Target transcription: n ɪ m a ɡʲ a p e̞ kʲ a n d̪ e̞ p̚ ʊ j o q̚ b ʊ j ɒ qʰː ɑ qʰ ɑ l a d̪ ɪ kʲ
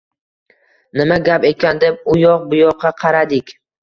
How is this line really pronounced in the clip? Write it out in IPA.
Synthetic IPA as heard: n ɪ m a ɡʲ a p e̞ kʲ a n d̪ e̞ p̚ ʊ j ɒ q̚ b ʊ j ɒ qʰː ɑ qʰ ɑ ɾ a d̪ ɪ kʲ